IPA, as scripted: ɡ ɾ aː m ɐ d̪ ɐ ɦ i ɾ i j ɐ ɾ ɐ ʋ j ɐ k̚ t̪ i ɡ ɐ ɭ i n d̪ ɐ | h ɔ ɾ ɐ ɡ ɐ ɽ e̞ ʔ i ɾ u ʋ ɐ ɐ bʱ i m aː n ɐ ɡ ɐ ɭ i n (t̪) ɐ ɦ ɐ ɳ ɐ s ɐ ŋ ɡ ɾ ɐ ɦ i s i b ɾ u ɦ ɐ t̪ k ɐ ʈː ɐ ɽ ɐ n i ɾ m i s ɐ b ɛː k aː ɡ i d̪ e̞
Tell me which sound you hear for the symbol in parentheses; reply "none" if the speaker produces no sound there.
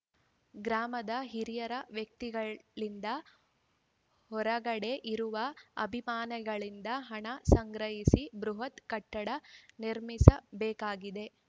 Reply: d̪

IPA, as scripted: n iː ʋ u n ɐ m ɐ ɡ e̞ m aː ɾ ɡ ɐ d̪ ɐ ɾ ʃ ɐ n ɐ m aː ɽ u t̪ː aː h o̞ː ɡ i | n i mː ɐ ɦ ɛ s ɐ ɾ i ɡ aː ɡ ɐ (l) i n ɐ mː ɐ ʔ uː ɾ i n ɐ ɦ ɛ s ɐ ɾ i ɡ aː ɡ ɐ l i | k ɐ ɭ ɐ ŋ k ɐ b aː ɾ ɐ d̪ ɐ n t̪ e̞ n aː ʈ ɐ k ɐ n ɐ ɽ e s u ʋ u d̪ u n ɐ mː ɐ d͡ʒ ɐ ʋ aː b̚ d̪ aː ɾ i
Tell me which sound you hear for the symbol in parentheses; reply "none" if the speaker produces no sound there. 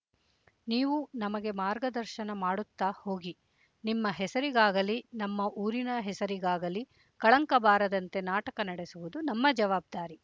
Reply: l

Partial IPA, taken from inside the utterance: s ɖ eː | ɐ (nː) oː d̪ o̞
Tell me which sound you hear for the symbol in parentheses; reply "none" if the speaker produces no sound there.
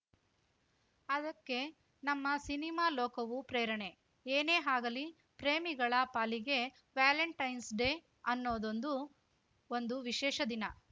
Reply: nː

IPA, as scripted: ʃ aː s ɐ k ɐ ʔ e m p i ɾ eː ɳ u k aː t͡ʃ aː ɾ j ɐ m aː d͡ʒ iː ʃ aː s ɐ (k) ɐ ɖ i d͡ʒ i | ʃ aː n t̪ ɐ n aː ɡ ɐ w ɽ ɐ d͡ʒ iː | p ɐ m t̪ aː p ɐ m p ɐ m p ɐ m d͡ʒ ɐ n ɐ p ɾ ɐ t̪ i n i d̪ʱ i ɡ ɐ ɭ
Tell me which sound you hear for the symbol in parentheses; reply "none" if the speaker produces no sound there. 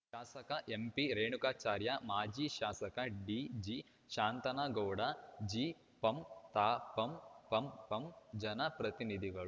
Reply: k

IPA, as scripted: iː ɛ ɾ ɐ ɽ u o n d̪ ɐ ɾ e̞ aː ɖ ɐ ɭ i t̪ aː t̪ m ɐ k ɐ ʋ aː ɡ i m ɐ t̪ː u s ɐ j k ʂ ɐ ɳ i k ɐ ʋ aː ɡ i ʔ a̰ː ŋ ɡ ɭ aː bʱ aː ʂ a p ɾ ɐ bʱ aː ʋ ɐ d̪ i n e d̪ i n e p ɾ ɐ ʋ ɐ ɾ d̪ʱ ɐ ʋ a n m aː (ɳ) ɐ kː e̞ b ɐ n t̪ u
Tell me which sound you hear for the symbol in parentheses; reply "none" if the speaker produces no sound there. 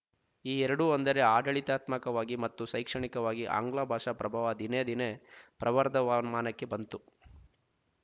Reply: n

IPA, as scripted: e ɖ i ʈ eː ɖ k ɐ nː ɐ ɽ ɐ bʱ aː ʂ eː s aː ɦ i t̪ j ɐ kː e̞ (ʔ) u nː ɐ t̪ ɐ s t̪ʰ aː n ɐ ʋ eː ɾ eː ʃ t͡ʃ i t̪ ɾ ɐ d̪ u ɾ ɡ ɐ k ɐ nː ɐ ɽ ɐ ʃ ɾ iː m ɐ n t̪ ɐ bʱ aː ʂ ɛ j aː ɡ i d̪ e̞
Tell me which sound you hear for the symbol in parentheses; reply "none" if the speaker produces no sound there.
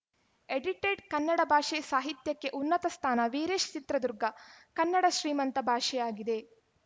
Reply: ʔ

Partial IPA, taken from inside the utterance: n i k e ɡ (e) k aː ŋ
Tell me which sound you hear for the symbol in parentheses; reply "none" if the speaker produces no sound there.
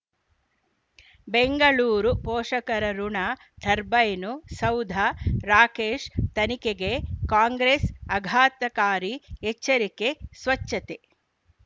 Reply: e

